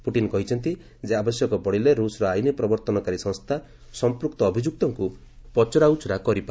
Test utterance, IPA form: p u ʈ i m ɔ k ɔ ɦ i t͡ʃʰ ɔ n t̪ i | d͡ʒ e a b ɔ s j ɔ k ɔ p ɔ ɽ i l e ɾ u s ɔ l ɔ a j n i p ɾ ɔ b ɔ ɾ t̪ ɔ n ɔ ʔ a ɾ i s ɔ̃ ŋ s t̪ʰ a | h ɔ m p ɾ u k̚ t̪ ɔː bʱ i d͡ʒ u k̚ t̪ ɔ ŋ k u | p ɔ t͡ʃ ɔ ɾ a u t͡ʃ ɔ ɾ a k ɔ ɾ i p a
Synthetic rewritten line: p u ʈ i n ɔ k ɔ ɦ i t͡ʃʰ ɔ n t̪ i | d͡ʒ e a b ɔ s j ɔ k ɔ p ɔ ɽ i l e ɾ u s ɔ ɾ ɔ a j n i p ɾ ɔ b ɔ ɾ t̪ ɔ n ɔ k a ɾ i s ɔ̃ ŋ s t̪ʰ a | s ɔ m p ɾ u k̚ t̪ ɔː bʱ i d͡ʒ u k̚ t̪ ɔ ŋ k u | p ɔ t͡ʃ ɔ ɾ a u t͡ʃ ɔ ɾ a k ɔ ɾ i p a